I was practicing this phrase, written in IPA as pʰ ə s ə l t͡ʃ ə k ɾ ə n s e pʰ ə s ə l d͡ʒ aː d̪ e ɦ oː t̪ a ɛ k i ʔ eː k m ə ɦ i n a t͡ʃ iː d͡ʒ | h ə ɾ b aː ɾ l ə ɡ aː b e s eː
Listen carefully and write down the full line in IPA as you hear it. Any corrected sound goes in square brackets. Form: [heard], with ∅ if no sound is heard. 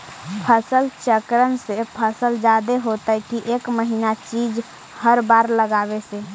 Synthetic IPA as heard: pʰ ə s ə l t͡ʃ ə k ɾ ə n s e pʰ ə s ə l d͡ʒ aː d̪ e ɦ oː t̪ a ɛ k i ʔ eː k m ə ɦ i n a t͡ʃ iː d͡ʒ | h ə ɾ b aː ɾ l ə ɡ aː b e s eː